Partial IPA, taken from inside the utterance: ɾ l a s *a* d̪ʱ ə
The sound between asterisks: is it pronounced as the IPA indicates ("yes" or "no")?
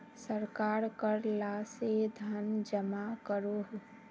no